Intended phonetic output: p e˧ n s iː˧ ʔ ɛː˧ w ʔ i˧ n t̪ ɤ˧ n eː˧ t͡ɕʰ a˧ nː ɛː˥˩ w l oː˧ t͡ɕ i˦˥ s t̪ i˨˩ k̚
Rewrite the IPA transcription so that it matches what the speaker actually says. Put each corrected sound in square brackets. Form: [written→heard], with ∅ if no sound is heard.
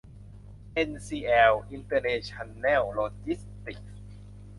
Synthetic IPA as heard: [p→ʔ] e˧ n s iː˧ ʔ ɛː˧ w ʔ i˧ n t̪ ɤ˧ n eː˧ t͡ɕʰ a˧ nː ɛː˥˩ w l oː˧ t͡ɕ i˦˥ s t̪ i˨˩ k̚